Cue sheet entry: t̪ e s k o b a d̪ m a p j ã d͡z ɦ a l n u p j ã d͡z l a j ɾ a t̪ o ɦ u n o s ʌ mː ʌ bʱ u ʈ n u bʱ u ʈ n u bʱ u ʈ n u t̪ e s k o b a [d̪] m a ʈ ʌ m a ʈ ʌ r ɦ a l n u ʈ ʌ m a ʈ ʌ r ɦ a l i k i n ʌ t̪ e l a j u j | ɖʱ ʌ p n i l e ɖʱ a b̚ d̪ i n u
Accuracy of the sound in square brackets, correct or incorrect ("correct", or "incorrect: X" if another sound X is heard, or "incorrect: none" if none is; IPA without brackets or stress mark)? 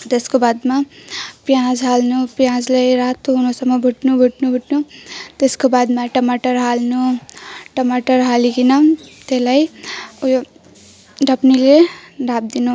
correct